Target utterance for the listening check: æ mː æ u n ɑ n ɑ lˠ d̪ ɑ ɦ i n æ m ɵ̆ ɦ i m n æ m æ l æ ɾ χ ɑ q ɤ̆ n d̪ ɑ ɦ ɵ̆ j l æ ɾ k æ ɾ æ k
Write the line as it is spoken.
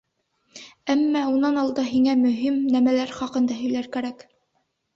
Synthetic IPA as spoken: æ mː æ u n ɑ n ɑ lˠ d̪ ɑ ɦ i ŋ æ m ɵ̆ ɦ i m n æ m æ l æ ɾ χ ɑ q ɤ̆ n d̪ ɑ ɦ ɵ̆ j l æ ɾ k æ ɾ æ k